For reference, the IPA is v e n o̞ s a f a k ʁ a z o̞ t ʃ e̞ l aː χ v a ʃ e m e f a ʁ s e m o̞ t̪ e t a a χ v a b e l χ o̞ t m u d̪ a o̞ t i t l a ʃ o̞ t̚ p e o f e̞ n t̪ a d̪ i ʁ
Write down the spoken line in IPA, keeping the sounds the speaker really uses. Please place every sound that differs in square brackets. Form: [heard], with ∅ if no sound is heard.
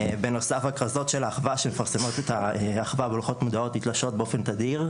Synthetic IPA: [b] e n o̞ s a f a k ʁ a z o̞ t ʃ e̞ l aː χ v a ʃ e m e f a ʁ s e m o̞ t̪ e t a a χ v a b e l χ o̞ t m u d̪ a o̞ t i t l a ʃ o̞ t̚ [b] e o f e̞ n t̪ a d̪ i ʁ